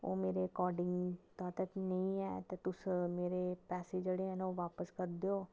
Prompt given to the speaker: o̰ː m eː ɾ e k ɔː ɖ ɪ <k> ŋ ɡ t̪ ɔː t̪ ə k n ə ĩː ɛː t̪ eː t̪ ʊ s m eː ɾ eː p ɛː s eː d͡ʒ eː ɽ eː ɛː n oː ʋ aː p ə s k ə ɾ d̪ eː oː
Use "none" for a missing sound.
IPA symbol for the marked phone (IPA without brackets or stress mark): none